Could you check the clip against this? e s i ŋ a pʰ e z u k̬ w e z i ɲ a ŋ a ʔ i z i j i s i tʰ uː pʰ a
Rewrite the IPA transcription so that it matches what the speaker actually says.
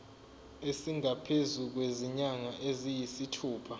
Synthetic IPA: e s i ŋ a pʰ e z u k̬ w e z i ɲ a ŋ a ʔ e z i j i s i tʰ uː pʰ a